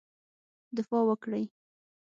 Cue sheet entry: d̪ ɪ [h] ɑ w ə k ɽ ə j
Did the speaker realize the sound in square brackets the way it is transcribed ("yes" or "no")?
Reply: no